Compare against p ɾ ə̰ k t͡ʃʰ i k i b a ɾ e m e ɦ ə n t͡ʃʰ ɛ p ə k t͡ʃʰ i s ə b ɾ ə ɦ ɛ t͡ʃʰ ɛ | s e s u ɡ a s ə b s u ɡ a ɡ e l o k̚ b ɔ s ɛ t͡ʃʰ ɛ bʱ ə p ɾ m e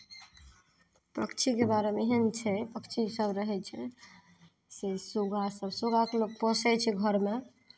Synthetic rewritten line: p ɾ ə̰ k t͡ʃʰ i k e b a ɾ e m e ɦ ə n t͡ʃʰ ɛ p ə k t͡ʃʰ i s ə b ɾ ə ɦ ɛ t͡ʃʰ ɛ | s e s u ɡ a s ə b s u ɡ a k e l o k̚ p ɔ s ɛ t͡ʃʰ ɛ ɡʱ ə ɾ m e